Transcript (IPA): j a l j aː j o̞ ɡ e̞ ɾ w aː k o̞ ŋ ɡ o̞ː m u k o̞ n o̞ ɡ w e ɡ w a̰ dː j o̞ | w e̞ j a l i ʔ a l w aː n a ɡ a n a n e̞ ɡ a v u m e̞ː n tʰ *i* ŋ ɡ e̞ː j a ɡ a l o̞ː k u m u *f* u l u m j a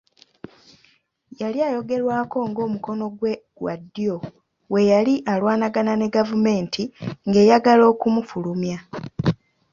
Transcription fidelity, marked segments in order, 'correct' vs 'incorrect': correct, correct

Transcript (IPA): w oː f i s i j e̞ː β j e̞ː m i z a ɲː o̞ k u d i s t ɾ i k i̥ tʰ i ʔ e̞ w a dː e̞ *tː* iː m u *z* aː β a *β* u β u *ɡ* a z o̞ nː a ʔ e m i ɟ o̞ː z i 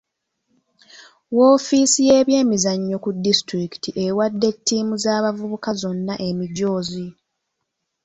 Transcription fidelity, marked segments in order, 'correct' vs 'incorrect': correct, correct, incorrect: v, incorrect: k

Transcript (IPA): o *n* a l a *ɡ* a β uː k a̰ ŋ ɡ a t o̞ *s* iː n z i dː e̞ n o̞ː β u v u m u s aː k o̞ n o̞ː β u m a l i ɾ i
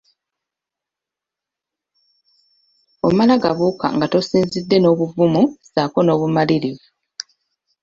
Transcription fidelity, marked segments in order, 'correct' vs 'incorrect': incorrect: m, correct, correct

